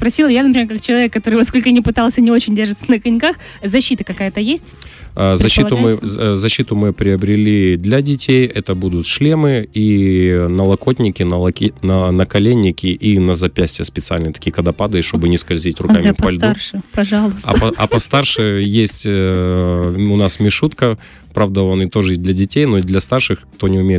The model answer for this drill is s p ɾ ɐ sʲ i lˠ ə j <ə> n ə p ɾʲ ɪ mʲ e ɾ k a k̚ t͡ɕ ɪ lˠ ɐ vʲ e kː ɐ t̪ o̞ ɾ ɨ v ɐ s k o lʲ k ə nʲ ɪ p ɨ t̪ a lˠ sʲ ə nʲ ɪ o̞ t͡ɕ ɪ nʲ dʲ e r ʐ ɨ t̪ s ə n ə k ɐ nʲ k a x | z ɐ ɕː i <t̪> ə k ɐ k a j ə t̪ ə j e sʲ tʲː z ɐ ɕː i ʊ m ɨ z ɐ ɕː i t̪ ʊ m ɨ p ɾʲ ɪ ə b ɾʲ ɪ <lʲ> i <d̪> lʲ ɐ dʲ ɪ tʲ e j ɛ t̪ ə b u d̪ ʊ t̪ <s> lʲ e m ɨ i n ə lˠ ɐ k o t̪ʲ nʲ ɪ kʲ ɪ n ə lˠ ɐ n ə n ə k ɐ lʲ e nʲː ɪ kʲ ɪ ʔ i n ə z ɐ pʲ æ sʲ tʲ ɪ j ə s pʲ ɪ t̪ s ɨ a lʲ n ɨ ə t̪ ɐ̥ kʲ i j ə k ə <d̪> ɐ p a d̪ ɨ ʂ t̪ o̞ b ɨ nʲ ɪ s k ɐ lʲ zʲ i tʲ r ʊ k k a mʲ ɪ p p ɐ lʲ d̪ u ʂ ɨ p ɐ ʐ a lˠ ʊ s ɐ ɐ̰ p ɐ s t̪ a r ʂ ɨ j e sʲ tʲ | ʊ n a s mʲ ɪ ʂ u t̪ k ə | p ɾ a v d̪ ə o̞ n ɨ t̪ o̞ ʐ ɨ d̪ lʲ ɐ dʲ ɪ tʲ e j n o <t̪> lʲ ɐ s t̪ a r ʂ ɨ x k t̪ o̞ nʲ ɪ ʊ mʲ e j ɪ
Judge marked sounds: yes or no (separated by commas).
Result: no, yes, yes, yes, no, yes, no